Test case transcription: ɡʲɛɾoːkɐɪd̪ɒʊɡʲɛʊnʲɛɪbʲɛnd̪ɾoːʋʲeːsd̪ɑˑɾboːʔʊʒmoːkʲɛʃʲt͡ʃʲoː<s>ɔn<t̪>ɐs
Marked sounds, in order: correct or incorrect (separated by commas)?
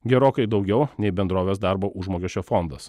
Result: incorrect, incorrect